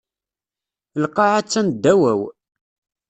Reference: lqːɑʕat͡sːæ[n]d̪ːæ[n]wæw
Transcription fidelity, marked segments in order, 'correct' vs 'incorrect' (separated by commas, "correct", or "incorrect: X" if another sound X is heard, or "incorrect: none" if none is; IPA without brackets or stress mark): correct, incorrect: none